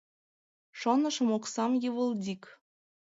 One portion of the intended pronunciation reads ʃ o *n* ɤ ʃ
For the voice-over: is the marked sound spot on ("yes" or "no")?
yes